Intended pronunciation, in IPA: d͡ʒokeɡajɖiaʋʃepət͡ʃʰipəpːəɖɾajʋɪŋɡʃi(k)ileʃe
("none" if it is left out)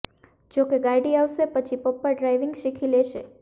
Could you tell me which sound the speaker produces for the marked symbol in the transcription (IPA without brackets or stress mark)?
kʰ